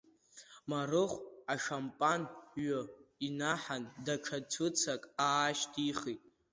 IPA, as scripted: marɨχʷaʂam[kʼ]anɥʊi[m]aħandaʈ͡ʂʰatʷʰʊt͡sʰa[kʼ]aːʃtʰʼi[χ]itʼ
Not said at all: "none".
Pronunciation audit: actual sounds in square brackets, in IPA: pʼ, n, kʼ, χ

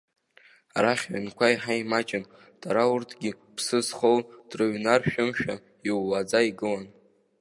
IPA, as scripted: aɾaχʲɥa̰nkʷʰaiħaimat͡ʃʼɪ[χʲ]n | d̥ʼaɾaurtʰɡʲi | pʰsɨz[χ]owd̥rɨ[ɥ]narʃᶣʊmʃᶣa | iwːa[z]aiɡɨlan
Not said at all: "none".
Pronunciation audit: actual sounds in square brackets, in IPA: none, χ, ɥ, d͡z

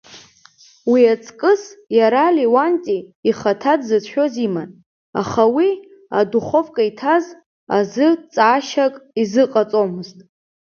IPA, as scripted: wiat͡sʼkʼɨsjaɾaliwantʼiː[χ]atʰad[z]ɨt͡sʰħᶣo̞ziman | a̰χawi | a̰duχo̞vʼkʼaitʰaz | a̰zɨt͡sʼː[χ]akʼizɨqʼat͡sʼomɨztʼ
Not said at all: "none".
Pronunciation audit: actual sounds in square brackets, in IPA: χ, z, ʃ

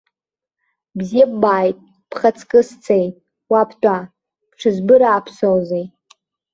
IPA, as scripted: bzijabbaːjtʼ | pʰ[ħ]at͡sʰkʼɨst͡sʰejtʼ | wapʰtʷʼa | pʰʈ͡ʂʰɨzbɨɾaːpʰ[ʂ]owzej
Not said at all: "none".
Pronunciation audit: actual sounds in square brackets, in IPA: χ, s

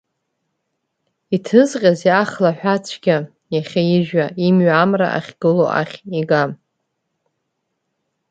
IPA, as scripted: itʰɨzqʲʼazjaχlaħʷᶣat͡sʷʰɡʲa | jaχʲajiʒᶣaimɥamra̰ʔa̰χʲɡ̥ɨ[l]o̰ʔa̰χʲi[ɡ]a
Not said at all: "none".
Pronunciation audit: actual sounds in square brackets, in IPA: l, ɡ

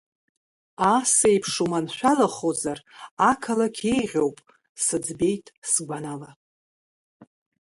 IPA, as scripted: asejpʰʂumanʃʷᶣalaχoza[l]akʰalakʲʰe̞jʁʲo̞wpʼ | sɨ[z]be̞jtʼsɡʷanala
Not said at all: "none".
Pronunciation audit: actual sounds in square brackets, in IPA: r, d͡z

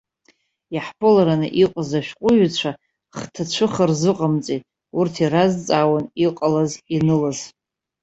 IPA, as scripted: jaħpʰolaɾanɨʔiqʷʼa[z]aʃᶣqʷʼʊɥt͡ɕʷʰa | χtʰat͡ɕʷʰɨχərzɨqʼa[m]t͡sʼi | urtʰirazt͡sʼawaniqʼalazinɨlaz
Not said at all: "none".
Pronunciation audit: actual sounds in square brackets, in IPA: z, m

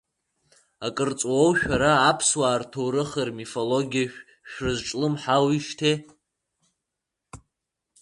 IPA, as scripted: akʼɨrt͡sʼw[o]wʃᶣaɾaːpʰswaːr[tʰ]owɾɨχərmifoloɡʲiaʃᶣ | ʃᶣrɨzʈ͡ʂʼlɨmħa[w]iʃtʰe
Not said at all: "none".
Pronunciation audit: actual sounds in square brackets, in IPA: o, tʰ, w

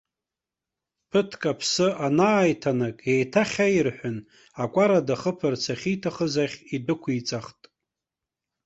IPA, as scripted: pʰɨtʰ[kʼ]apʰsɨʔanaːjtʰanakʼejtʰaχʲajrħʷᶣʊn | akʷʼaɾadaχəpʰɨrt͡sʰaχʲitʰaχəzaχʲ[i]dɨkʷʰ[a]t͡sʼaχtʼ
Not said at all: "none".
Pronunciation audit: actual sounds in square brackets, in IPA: kʼ, i, i

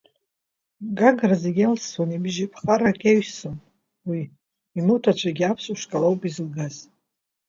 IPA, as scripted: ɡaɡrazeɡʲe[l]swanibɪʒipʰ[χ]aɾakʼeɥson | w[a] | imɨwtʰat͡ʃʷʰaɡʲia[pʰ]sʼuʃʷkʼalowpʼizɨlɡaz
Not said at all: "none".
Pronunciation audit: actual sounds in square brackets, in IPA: l, χ, i, pʰ

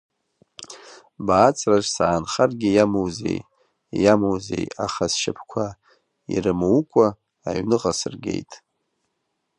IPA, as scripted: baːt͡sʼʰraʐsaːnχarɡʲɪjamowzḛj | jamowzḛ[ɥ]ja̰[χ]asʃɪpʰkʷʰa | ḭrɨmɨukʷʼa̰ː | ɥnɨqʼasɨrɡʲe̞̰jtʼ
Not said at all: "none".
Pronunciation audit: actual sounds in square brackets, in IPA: none, χ

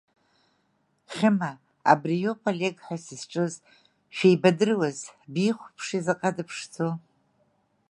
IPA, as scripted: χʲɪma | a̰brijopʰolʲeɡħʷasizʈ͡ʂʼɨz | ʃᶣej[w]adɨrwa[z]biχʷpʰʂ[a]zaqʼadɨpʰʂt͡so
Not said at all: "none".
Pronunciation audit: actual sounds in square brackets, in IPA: b, z, i

